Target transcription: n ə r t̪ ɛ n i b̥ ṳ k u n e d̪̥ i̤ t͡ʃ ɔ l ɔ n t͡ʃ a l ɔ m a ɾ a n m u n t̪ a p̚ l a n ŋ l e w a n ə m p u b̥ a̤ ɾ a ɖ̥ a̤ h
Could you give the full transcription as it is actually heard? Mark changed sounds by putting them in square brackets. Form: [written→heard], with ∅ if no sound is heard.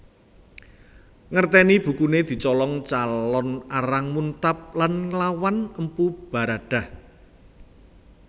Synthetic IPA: [n→ŋ] ə r t̪ ɛ n i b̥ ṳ k u n e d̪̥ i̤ t͡ʃ ɔ l ɔ [n→ŋ] t͡ʃ a l ɔ [m→n] a ɾ a [n→ŋ] m u n t̪ a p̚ l a n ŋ l [e→a] w a n ə m p u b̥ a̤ ɾ a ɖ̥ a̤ h